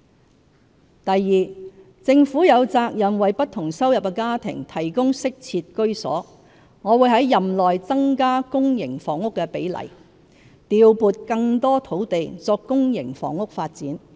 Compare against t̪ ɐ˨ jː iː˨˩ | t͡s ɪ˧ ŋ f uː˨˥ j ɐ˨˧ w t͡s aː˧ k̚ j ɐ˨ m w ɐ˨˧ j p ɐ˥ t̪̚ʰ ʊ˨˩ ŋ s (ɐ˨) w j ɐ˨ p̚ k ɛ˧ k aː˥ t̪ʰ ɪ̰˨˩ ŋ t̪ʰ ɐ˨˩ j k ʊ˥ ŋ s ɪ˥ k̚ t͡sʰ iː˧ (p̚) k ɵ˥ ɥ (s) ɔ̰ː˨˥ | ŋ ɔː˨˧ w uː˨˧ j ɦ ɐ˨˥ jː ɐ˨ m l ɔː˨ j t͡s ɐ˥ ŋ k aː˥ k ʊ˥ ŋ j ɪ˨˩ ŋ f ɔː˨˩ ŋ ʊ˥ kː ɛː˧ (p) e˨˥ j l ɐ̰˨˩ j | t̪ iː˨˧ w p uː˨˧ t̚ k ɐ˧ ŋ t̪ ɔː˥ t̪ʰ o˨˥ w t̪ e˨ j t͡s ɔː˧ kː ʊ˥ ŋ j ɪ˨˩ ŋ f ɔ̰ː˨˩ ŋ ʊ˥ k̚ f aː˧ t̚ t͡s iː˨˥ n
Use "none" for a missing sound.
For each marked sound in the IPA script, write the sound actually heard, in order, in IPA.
ɐ˥, t̚, s, p

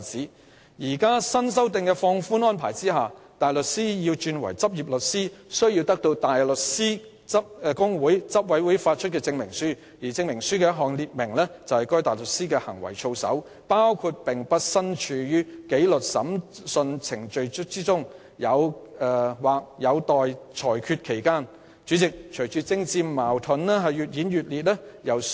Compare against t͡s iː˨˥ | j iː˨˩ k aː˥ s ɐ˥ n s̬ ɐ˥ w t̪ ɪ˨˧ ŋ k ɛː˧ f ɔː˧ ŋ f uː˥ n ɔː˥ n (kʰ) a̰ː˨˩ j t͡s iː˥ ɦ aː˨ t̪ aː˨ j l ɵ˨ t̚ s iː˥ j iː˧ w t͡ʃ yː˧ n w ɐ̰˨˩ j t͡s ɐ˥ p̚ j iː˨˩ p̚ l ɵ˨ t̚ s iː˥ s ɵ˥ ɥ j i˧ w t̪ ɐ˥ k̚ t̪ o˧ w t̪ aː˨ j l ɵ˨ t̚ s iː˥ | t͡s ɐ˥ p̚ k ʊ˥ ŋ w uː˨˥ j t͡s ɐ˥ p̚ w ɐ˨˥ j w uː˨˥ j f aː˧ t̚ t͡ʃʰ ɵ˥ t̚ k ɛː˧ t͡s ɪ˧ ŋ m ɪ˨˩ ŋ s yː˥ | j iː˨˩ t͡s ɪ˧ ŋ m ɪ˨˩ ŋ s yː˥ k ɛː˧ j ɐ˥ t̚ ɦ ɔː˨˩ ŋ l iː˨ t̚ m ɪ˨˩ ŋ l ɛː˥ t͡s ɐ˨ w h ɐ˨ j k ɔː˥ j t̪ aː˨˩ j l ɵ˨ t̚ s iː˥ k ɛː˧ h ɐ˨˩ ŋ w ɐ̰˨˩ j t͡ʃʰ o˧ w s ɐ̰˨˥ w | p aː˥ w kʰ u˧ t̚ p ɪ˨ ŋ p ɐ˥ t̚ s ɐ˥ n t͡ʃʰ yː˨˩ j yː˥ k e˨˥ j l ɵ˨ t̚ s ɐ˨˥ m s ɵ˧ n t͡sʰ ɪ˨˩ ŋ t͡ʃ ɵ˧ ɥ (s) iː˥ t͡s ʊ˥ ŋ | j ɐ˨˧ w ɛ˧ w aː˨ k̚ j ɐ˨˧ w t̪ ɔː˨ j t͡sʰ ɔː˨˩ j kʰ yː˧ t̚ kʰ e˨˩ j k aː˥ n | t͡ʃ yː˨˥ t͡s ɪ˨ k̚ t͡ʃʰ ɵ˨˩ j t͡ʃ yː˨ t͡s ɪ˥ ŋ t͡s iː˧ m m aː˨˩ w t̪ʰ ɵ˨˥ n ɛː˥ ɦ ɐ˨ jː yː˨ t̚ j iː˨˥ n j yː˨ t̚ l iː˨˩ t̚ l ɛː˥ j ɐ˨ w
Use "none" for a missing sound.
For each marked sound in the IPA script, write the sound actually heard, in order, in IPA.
pʰ, t͡s

